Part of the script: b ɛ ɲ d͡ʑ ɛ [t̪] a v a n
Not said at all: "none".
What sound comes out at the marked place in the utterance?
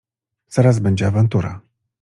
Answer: none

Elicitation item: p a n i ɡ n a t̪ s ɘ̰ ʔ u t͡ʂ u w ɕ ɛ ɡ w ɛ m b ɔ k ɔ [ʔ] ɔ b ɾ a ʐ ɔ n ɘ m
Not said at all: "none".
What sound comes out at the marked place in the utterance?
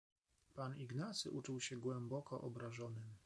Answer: ʔ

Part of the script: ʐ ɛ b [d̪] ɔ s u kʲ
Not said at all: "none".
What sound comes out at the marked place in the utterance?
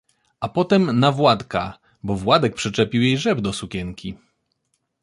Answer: d̪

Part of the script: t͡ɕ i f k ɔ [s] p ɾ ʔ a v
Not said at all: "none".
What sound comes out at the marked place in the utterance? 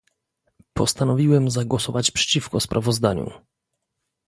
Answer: s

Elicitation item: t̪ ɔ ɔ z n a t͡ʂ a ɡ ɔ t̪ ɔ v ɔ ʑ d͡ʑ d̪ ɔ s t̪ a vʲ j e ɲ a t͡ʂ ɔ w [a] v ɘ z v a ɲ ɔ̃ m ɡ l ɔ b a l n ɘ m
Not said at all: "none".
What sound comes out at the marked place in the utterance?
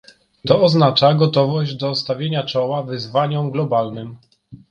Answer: a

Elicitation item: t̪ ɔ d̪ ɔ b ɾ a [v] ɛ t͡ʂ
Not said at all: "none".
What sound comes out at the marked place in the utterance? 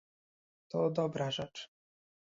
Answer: ʐ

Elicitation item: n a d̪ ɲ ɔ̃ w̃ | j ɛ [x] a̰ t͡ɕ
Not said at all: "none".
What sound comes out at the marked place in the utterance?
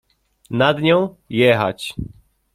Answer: x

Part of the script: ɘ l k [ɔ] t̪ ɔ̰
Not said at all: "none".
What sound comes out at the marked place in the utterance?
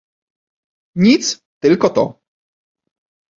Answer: ɔ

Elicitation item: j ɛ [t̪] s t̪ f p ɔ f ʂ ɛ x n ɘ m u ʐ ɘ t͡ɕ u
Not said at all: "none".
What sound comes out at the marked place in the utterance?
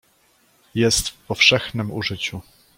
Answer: none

